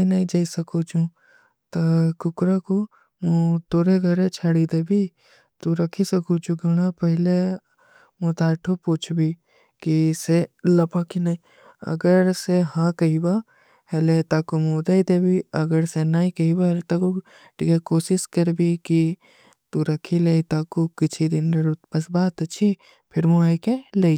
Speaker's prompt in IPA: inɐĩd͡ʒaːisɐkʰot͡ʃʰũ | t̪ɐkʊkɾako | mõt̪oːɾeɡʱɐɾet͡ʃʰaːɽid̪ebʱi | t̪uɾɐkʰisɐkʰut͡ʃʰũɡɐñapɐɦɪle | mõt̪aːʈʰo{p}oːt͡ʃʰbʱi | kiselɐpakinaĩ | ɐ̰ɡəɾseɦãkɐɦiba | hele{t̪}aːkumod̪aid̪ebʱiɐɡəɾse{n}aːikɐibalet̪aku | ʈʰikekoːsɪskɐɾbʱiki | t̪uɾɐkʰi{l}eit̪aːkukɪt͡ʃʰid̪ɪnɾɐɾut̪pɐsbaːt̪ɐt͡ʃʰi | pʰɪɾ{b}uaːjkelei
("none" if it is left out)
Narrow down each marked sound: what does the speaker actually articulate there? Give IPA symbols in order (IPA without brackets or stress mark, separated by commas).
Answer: p, t̪, n, l, m